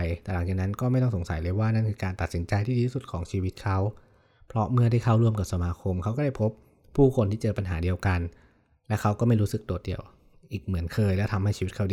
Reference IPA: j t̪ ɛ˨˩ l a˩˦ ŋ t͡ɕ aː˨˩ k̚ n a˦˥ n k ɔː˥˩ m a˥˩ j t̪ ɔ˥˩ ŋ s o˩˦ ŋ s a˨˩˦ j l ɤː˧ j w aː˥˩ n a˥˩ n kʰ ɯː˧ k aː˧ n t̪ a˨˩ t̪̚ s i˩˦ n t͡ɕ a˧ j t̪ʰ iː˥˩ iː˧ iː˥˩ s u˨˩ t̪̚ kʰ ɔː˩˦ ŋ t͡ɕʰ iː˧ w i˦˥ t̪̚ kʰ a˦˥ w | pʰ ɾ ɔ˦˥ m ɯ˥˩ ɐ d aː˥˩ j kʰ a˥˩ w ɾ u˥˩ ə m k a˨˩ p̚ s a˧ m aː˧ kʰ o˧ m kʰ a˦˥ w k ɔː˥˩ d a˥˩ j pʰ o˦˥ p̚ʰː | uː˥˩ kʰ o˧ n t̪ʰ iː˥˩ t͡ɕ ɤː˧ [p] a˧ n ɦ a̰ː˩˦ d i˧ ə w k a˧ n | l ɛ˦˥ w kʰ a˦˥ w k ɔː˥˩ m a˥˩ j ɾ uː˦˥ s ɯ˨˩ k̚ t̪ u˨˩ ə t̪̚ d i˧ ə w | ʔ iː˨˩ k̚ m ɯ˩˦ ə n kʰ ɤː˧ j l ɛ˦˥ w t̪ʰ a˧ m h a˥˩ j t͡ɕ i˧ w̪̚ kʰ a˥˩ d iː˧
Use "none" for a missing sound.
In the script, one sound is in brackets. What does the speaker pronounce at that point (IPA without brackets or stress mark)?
p